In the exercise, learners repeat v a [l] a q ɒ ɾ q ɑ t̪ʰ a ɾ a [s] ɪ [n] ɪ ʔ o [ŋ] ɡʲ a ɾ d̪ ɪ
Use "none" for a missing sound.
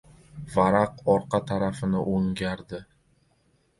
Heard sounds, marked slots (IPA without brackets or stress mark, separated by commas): ɾ, f, n, ŋ